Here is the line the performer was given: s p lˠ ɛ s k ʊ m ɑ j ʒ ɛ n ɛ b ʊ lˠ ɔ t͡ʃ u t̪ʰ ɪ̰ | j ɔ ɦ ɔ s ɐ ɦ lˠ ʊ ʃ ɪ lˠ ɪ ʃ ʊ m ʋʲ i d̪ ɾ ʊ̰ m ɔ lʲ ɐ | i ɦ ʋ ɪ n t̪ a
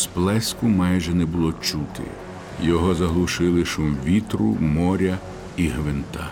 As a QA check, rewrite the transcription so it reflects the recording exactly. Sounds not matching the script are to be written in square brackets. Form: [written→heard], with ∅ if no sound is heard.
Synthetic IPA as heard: s p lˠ ɛ s k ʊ m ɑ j ʒ ɛ n ɛ b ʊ lˠ ɔ t͡ʃ u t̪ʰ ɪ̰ | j ɔ ɦ ɔ [s→z] ɐ ɦ lˠ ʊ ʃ ɪ lˠ ɪ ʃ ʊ m ʋʲ i [d̪→t̪] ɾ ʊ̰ m ɔ [lʲ→ɾʲ] ɐ | i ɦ ʋ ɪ n t̪ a